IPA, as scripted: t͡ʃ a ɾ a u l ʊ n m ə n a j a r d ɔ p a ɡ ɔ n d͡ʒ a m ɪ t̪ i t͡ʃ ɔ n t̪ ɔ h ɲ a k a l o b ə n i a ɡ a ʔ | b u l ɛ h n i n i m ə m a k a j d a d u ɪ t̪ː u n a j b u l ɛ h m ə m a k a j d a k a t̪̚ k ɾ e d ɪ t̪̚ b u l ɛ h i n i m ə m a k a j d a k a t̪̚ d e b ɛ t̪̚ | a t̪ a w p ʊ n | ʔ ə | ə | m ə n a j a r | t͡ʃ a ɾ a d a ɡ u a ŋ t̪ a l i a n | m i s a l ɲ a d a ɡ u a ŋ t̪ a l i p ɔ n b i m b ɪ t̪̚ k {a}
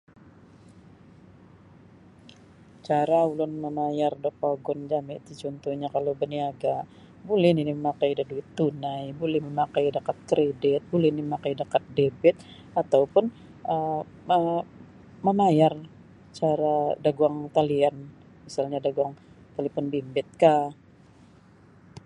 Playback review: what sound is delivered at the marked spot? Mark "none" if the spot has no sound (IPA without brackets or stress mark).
a